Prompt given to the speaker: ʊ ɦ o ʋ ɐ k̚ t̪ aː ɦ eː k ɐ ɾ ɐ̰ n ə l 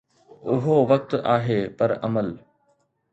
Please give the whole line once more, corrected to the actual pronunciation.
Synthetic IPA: ʊ ɦ o ʋ ɐ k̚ t̪ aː ɦ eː p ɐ ɾ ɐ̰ m ə l